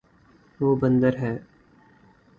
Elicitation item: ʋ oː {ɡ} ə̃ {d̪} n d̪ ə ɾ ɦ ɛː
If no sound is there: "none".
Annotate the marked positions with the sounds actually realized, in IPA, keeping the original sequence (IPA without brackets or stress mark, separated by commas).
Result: b, none